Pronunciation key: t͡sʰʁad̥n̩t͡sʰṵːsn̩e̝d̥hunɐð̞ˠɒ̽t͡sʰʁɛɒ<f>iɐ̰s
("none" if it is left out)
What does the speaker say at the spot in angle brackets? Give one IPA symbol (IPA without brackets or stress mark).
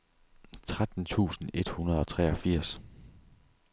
f